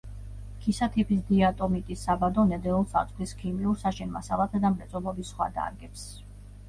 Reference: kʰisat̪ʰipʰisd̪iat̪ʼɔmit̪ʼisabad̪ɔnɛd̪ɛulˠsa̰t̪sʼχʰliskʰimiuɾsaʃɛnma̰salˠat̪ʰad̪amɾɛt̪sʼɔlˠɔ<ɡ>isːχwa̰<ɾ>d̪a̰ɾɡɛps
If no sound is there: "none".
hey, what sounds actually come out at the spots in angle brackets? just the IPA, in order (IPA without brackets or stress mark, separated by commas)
b, none